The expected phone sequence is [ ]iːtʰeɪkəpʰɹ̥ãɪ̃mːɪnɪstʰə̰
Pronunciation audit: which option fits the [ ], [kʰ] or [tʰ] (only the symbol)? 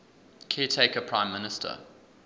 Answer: kʰ